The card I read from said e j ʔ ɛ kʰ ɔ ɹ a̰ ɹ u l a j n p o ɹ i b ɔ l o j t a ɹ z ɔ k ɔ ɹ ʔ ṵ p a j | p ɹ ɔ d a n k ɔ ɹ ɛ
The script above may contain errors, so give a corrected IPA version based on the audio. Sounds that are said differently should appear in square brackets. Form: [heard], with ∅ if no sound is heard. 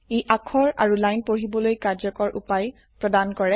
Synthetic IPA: e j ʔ [a] kʰ ɔ ɹ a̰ ɹ u l a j n p o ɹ i b ɔ l o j [k] a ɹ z ɔ k ɔ ɹ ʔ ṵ p a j | p ɹ ɔ d a n k ɔ ɹ ɛ